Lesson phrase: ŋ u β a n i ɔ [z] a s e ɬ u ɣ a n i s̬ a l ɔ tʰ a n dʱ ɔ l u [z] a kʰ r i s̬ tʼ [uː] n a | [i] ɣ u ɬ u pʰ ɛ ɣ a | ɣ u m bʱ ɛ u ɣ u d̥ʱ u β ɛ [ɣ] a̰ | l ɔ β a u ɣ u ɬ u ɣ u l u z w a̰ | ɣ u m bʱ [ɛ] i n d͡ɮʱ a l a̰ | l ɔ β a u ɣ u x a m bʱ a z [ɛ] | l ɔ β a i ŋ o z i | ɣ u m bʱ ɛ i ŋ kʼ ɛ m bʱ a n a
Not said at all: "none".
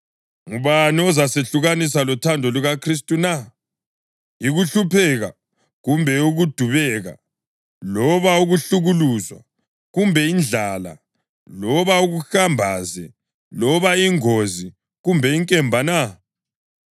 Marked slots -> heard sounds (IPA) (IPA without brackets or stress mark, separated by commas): z, ɣ, u, i, ɣ, ɛ, ɛ